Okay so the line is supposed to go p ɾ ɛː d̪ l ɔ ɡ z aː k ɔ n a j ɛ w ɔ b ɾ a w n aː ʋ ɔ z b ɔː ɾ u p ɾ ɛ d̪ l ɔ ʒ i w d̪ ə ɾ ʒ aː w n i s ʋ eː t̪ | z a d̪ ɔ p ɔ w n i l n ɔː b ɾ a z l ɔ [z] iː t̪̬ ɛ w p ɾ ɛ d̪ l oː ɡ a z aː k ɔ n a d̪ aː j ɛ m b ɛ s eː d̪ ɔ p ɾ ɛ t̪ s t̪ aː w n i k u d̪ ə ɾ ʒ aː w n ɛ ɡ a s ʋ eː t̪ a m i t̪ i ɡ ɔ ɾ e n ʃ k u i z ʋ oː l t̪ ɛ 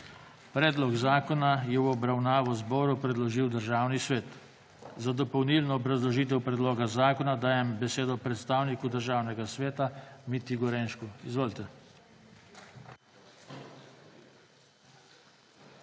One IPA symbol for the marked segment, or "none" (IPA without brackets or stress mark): ʒ